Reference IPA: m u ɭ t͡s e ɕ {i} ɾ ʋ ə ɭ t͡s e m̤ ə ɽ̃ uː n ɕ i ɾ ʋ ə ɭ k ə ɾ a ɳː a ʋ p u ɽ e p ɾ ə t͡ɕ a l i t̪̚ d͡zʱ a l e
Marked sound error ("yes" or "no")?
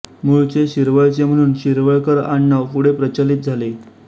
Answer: no